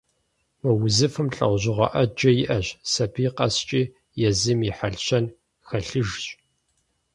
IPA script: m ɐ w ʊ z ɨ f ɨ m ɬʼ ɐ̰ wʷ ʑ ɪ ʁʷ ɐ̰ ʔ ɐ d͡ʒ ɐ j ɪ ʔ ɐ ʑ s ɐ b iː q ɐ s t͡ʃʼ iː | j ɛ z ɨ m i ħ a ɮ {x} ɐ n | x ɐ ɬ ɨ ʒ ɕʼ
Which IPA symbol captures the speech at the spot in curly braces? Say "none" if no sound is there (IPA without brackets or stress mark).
ɕ